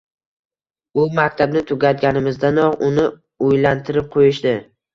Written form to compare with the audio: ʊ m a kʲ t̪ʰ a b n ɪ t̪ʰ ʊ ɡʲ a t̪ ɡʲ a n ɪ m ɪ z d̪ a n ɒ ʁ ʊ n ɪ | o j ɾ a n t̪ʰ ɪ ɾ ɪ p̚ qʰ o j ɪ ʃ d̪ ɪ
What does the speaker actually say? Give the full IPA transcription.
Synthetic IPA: ʊ m a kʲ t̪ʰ a b n ɪ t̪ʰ ʊ ɡʲ a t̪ ɡʲ a n ɪ m ɪ z d̪ a n ɒ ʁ ʊ n ɪ | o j l a n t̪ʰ ɪ ɾ ɪ p̚ qʰ o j ɪ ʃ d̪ ɪ